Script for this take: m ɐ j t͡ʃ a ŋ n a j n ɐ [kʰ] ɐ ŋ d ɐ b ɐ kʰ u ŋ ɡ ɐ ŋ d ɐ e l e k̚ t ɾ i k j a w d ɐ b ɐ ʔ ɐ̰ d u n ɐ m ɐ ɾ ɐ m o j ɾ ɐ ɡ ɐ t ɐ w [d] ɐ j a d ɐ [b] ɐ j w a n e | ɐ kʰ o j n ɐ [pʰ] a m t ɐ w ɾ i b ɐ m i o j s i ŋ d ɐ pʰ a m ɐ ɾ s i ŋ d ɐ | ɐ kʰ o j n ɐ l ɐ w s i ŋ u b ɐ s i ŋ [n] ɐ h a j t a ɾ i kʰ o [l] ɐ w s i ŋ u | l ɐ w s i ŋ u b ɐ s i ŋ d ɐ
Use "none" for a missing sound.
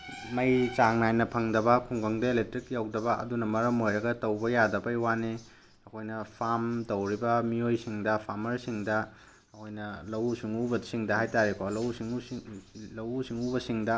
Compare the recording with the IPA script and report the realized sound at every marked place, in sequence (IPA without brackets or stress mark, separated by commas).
pʰ, b, b, pʰ, d, l